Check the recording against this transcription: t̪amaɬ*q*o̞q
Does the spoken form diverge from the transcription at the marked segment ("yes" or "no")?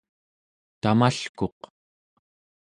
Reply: yes